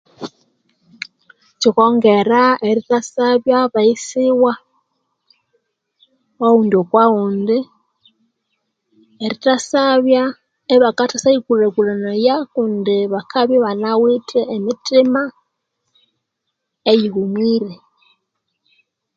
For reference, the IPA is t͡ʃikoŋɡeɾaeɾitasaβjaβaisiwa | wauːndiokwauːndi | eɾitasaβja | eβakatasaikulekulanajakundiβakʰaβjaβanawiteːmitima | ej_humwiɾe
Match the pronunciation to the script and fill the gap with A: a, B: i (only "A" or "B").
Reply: B